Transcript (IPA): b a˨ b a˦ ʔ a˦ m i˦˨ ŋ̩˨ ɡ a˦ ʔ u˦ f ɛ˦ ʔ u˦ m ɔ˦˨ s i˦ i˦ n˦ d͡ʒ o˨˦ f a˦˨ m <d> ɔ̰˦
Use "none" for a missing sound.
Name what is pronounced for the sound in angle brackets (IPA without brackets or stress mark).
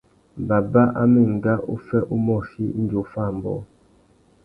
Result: b